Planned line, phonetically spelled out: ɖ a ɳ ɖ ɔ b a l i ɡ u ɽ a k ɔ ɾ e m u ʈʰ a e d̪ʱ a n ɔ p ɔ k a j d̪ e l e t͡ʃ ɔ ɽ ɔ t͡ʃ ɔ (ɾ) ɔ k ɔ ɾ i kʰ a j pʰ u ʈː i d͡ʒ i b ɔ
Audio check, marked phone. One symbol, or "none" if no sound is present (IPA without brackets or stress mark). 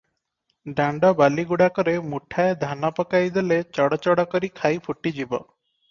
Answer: ɽ